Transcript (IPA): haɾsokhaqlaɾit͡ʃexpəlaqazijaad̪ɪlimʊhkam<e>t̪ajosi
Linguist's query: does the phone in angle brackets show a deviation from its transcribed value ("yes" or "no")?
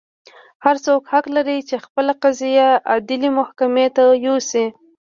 no